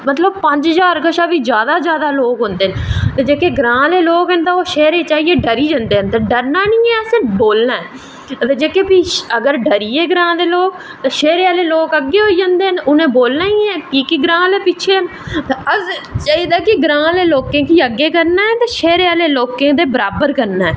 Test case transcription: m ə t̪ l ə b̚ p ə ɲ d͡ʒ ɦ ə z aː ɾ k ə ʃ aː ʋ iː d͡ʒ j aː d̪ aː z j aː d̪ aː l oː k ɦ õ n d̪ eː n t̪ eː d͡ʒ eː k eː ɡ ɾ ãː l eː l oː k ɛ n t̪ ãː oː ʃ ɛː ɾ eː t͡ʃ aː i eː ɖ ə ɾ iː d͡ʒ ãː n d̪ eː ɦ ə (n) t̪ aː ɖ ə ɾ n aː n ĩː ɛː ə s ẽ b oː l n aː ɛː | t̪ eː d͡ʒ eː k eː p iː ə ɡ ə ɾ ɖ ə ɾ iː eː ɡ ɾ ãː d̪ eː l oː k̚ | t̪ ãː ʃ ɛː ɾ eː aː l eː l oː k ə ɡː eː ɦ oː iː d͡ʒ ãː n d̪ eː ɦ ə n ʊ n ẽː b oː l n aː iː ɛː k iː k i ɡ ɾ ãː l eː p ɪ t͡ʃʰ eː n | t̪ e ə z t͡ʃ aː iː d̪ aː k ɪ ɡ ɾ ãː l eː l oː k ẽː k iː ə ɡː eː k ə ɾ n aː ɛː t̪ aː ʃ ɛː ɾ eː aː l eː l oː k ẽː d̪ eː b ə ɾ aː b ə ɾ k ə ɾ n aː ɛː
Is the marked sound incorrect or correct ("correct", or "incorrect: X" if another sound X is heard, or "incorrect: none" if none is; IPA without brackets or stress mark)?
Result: correct